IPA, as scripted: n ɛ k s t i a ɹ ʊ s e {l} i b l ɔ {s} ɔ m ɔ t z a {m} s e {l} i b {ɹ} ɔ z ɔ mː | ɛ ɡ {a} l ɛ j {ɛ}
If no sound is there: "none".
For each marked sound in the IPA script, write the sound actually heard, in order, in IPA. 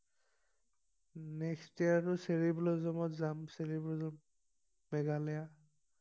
ɹ, z, m, ɹ, l, a, a

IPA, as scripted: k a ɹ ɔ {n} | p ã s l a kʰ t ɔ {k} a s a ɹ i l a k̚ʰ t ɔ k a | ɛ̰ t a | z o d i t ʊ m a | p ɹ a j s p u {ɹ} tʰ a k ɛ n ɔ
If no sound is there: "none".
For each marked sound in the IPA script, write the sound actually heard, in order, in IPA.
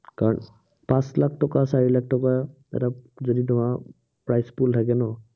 n, k, l

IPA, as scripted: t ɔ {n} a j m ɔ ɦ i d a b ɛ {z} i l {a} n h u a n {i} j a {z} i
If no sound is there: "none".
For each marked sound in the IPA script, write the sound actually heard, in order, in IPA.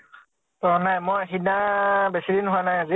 n, s, i, a, z

